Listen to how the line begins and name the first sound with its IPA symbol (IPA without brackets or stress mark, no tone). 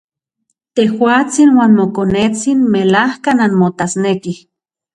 t̪